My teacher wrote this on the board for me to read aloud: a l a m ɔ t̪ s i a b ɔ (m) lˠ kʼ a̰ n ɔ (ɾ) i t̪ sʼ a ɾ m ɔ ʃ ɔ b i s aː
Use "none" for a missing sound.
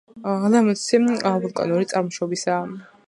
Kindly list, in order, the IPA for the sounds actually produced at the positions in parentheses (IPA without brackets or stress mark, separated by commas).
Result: none, ɾ